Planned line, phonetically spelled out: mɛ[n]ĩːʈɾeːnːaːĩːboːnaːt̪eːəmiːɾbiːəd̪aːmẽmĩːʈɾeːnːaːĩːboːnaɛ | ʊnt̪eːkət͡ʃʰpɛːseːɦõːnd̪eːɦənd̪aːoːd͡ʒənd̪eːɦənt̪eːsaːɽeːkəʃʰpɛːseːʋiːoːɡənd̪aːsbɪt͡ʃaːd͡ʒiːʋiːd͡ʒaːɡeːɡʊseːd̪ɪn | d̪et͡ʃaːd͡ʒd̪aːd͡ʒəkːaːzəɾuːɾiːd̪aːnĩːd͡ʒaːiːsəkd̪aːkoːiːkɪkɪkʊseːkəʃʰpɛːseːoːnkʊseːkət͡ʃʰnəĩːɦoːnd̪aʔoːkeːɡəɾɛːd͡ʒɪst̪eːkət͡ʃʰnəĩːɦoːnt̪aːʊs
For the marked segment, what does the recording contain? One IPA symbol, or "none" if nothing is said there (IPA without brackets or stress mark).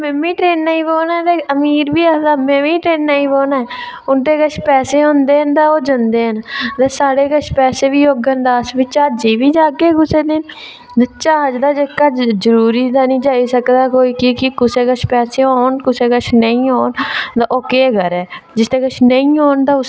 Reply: m